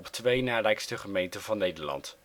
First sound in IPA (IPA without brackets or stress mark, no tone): ɔ